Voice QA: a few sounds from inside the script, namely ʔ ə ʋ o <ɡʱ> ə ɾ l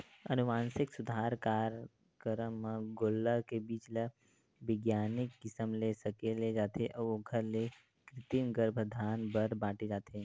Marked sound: correct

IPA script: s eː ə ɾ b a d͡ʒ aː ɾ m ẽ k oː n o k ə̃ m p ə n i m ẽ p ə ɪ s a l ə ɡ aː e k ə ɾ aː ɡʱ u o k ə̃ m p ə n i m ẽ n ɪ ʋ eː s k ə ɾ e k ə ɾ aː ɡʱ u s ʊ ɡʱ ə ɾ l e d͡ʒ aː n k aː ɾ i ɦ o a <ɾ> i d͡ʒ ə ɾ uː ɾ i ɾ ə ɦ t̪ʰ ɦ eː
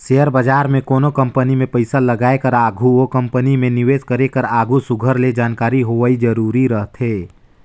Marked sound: incorrect: none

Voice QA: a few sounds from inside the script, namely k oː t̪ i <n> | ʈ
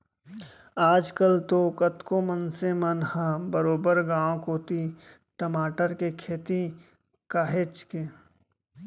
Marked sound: incorrect: none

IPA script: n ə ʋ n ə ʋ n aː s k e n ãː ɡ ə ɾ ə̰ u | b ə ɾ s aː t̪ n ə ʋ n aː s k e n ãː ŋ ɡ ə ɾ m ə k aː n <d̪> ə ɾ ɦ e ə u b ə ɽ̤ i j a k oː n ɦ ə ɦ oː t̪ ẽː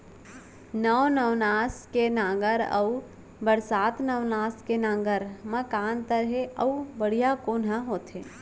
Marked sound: incorrect: t̪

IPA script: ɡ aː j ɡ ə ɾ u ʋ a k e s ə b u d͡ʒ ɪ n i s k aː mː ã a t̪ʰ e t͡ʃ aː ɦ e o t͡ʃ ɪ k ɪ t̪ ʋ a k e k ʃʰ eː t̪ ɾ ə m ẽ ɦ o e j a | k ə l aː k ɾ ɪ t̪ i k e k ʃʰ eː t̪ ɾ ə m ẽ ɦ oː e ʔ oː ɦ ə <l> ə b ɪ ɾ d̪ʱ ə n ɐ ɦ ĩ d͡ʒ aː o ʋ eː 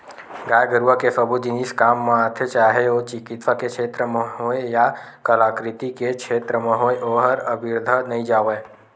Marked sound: incorrect: ɾ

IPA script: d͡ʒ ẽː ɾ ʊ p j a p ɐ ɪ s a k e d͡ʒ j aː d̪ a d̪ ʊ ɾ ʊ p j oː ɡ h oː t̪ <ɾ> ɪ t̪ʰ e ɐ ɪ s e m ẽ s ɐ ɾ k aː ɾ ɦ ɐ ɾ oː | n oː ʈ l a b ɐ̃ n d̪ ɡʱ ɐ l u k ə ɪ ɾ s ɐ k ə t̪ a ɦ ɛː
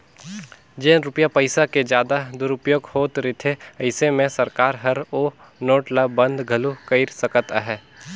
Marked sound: correct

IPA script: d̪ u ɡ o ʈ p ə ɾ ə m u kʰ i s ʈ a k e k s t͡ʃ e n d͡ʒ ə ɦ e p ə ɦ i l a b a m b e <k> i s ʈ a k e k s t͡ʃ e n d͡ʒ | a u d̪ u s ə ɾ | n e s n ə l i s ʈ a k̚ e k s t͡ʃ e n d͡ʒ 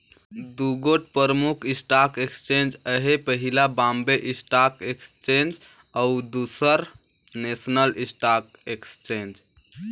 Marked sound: incorrect: ʔ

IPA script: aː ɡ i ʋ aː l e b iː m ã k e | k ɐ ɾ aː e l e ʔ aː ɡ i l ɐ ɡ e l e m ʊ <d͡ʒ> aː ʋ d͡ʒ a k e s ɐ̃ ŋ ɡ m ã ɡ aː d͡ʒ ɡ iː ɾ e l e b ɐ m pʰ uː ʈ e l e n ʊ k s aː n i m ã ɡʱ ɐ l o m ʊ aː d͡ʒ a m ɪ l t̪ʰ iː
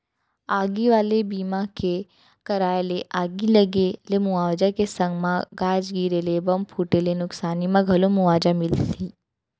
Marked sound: incorrect: none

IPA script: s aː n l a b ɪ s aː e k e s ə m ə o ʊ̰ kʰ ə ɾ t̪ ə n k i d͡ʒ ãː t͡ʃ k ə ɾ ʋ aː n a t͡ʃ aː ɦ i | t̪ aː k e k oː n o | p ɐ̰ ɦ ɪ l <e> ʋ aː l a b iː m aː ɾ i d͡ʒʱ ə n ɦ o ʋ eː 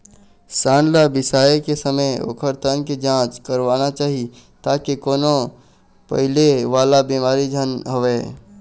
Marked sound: correct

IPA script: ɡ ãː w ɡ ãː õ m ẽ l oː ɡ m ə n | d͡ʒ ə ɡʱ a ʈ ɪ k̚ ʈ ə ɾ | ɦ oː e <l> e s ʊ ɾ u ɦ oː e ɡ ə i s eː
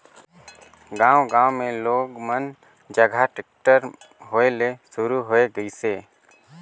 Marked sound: correct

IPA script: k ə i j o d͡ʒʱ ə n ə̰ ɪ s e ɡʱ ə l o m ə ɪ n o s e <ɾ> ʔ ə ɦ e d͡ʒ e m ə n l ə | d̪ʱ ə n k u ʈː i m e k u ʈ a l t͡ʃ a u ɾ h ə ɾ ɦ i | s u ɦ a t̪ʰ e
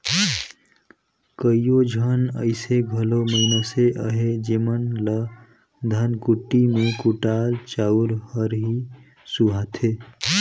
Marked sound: incorrect: none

